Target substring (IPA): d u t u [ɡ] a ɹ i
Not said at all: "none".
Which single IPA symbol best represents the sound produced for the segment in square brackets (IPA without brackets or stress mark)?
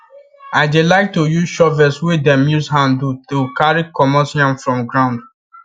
k